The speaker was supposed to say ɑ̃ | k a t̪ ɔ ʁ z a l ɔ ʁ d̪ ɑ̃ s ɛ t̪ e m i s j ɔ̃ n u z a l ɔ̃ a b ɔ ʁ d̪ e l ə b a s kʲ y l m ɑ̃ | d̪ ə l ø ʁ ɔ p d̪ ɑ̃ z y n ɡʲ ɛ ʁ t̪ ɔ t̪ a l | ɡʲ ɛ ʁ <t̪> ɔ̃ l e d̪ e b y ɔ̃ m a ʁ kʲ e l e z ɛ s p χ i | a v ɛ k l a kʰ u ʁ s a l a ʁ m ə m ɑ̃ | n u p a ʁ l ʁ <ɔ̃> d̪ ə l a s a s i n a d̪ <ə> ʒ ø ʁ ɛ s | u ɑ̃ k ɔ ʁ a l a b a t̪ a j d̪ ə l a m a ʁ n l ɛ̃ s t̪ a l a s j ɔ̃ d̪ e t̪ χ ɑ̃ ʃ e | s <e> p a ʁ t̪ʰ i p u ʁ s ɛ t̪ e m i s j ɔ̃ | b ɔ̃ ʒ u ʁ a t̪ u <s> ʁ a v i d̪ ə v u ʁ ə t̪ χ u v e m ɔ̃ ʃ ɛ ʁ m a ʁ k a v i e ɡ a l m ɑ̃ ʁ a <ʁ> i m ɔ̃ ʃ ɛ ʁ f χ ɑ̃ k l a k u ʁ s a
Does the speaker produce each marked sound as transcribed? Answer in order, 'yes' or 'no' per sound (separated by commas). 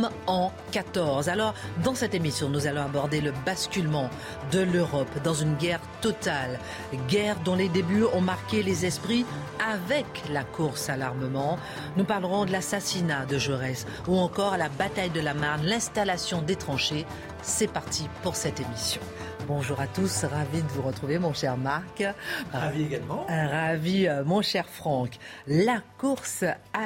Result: no, yes, yes, no, yes, no